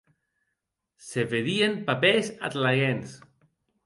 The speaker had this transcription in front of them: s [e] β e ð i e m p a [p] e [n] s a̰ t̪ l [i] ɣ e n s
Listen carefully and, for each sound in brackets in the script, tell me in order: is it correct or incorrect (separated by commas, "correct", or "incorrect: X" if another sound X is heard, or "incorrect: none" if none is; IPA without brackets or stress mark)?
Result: correct, correct, incorrect: none, incorrect: a